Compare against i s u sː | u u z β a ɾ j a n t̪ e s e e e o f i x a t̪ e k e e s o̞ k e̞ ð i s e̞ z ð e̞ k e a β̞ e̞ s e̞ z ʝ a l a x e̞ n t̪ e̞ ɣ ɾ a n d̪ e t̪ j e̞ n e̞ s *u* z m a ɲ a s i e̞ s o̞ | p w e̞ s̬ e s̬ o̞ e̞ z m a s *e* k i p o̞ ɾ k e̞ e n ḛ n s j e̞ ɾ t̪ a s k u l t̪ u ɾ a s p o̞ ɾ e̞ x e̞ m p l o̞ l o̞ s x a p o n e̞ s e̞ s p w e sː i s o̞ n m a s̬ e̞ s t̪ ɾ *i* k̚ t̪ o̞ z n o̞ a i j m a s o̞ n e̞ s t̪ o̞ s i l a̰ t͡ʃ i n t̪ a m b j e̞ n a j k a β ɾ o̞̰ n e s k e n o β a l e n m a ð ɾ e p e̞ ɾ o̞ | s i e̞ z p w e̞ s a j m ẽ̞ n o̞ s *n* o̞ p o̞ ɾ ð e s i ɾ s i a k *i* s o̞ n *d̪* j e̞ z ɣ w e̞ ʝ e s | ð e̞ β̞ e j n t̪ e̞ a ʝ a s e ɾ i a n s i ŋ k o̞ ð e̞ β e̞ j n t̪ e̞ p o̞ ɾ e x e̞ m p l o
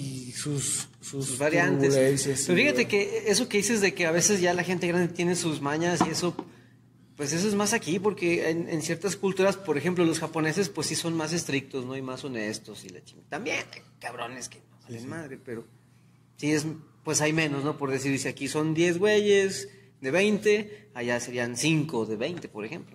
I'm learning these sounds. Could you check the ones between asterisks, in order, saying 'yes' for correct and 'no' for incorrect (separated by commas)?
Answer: yes, no, yes, yes, yes, yes